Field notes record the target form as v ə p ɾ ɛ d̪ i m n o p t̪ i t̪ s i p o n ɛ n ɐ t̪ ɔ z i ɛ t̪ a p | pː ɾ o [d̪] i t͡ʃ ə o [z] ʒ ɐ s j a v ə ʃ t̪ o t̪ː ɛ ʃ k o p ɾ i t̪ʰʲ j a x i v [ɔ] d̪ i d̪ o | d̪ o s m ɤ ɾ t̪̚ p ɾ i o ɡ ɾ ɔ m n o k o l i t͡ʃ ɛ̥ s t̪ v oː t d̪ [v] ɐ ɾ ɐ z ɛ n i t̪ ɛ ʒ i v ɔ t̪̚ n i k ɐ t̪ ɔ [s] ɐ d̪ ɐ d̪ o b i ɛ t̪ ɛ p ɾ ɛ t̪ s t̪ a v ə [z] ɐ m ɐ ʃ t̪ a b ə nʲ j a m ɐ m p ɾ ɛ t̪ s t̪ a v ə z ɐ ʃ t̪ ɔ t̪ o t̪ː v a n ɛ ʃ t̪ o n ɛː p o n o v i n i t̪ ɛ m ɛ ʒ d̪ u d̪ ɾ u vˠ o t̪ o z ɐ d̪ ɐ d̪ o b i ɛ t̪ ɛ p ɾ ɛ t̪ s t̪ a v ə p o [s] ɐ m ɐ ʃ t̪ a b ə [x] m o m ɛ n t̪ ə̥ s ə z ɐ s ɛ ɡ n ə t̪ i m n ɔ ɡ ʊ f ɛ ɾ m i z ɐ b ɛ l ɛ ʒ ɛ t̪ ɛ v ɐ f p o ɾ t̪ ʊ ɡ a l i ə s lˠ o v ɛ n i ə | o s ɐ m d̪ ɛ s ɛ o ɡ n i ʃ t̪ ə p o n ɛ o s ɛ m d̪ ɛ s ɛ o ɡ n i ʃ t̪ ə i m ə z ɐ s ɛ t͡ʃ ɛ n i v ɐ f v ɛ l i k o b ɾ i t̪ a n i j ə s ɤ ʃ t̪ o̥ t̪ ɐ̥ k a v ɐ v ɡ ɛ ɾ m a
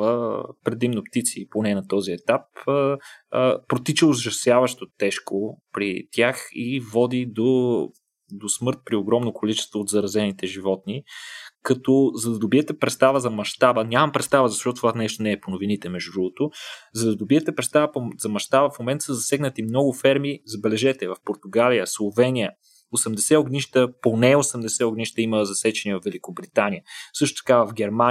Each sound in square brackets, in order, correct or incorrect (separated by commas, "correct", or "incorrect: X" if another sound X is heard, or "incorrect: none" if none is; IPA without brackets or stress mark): incorrect: t̪, correct, correct, incorrect: z, incorrect: z, correct, incorrect: z, incorrect: f